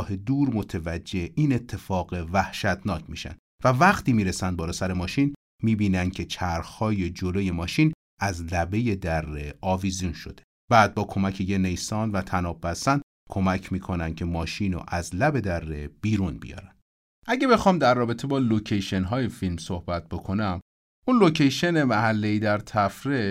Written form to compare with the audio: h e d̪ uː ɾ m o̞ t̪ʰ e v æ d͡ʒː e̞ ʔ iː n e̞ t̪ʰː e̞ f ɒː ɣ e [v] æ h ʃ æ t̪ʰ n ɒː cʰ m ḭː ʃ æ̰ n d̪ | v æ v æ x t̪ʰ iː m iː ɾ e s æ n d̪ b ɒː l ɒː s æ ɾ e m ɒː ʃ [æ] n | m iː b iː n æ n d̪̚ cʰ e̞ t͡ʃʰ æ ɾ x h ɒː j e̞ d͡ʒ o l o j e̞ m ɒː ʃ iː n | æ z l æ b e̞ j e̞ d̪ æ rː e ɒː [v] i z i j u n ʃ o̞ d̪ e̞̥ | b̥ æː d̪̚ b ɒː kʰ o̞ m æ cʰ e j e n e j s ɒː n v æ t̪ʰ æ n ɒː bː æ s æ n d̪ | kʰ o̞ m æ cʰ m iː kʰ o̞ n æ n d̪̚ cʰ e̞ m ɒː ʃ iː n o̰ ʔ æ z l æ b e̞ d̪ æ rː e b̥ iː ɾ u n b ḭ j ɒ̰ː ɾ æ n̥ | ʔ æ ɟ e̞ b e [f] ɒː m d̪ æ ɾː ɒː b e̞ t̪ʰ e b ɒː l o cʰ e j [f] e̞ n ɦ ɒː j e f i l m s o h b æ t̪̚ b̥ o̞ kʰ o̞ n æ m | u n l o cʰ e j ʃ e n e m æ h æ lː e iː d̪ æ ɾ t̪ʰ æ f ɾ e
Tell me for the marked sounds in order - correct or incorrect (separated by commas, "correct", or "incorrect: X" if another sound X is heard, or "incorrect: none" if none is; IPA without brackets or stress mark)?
correct, incorrect: i, correct, incorrect: x, incorrect: ʃ